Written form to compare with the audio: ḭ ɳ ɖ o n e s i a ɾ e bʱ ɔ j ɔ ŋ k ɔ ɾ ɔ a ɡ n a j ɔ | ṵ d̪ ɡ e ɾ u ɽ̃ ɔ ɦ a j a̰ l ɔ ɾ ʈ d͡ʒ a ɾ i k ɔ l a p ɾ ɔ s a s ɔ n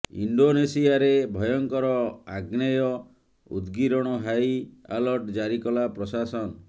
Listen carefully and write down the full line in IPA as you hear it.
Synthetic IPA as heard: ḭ ɳ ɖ o n e s i a ɾ e bʱ ɔ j ɔ ŋ k ɔ ɾ ɔ a ɡ n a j ɔ | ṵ d̪ ɡ i ɾ ɔ ɽ̃ ɔ ɦ a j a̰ l ɔ ɾ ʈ d͡ʒ a ɾ i k ɔ l a p ɾ ɔ s a s ɔ n

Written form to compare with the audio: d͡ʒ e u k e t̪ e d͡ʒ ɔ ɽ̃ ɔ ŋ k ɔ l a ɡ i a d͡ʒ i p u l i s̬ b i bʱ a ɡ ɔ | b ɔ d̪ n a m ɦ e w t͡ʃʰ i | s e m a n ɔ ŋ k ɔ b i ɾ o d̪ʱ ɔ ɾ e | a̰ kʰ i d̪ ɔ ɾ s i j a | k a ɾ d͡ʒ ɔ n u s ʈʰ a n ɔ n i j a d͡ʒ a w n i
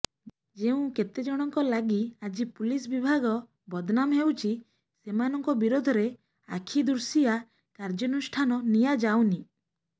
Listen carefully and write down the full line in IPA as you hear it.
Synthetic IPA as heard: d͡ʒ e ũ k e t̪ e d͡ʒ ɔ ɽ̃ ɔ ŋ k ɔ l a ɡ i a d͡ʒ i p u l i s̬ b i bʱ a ɡ ɔ | b ɔ d̪ n a m ɦ e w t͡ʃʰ i | s e m a n ɔ ŋ k ɔ b i ɾ o d̪ʱ ɔ ɾ e | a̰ kʰ i d̪ u ɾ s i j a | k a ɾ d͡ʒ ɔ n u s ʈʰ a n ɔ n i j a d͡ʒ a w n i

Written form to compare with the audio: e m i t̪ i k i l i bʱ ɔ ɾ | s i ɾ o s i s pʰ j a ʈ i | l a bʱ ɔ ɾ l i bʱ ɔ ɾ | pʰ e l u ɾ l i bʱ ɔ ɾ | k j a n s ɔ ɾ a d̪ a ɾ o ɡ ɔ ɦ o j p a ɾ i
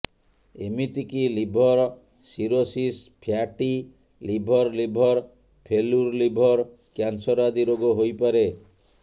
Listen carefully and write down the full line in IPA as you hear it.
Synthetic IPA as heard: e m i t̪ i k i l i bʱ ɔ ɾ | s i ɾ o s i s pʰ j a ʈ i | l i bʱ ɔ ɾ l i bʱ ɔ ɾ | pʰ e l u ɾ l i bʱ ɔ ɾ | k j a n s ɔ ɾ a d̪ i ɾ o ɡ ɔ ɦ o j p a ɾ e

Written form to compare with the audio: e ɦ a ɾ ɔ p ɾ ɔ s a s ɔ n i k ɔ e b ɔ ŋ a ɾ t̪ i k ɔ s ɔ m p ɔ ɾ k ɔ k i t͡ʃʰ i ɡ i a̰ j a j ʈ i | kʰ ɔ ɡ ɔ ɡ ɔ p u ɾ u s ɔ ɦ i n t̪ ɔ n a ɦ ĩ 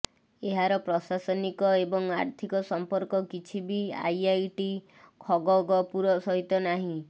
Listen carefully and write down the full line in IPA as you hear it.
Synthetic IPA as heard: e ɦ a ɾ ɔ p ɾ ɔ s a s ɔ n i k ɔ e b ɔ ŋ a ɾ t̪ʰ i k ɔ s ɔ m p ɔ ɾ k ɔ k i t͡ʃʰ i b i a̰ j a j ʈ i | kʰ ɔ ɡ ɔ ɡ ɔ p u ɾ ɔ s ɔ ɦ i t̪ ɔ n a ɦ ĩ

